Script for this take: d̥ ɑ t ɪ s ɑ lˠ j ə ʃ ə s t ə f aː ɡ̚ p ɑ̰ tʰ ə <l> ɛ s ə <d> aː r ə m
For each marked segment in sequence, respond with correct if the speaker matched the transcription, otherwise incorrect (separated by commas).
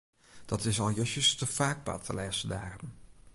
correct, correct